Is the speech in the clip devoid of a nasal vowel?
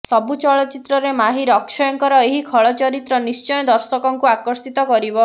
yes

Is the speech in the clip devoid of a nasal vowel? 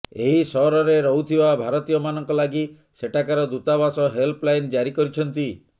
yes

